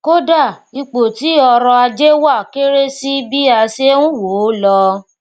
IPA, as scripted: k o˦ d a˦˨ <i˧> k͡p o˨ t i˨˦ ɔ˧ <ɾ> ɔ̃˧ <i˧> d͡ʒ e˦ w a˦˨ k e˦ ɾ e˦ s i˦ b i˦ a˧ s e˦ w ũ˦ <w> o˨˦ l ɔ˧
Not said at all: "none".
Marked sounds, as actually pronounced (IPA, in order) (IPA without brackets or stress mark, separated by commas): i˧, ɾ, a˧, w